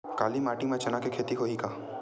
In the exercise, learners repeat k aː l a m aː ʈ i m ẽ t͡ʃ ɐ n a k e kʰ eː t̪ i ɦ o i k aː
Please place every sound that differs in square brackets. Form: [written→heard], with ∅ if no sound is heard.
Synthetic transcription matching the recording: k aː l [a→i] m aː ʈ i m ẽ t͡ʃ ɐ n a k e kʰ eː t̪ i ɦ o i k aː